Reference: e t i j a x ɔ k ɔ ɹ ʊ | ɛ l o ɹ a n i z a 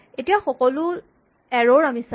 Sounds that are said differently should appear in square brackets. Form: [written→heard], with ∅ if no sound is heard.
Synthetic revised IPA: e t i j a x ɔ k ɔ [ɹ→l] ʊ | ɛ [l→ɹ] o ɹ a [n→m] i [z→s] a